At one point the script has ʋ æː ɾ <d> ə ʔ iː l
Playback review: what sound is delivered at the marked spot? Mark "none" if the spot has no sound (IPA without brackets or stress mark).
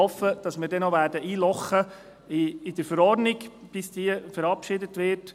d